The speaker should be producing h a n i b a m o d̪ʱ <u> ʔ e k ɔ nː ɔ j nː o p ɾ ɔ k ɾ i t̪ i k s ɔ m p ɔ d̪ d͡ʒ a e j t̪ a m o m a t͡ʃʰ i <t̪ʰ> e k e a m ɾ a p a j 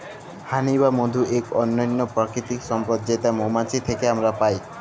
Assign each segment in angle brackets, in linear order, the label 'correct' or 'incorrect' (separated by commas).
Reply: correct, correct